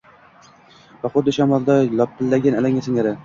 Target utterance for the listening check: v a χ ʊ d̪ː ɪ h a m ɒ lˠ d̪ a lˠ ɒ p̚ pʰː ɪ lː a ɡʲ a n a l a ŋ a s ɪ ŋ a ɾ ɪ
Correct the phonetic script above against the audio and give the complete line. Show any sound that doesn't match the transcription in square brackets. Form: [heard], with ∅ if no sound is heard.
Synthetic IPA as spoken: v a χ ʊ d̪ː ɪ [ʃ] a m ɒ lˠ d̪ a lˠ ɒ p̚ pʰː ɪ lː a ɡʲ a n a l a ŋ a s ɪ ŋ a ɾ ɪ